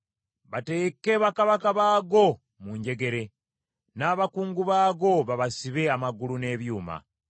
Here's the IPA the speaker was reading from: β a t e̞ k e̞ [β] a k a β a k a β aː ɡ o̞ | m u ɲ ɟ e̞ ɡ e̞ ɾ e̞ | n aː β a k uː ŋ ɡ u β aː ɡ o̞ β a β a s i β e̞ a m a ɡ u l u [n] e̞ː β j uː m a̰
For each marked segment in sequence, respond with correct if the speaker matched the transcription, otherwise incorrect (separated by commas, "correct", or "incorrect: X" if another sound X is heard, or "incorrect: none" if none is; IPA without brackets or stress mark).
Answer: correct, correct